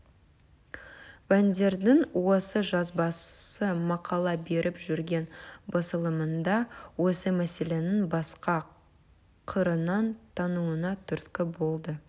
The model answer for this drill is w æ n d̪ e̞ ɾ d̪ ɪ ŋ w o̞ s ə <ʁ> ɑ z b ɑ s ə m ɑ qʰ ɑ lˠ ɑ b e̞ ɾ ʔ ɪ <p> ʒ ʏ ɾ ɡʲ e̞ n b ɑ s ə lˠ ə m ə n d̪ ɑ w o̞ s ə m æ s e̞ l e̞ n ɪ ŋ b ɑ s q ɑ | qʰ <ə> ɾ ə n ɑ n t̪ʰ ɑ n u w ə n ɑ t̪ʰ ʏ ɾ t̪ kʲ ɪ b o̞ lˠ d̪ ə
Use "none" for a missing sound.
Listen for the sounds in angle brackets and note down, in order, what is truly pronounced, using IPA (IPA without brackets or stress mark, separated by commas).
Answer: ʒ, p, ə